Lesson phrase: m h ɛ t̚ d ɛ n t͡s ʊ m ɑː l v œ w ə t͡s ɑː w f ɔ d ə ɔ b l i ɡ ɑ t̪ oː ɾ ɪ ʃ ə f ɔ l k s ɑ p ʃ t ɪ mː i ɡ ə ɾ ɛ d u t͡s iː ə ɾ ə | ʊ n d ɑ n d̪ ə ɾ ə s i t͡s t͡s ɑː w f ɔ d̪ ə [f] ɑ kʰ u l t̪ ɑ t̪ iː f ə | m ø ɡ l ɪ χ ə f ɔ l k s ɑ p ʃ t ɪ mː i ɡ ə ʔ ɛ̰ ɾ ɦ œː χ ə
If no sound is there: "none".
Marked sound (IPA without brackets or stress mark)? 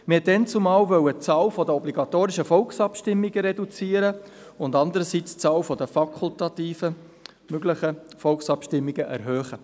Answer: f